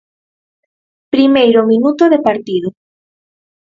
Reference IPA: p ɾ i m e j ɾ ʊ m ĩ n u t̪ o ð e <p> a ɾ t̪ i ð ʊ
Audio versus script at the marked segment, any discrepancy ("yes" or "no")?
no